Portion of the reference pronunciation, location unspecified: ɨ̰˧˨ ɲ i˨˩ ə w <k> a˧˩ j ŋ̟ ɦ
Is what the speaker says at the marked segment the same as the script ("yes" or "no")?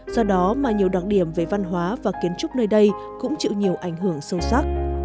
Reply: no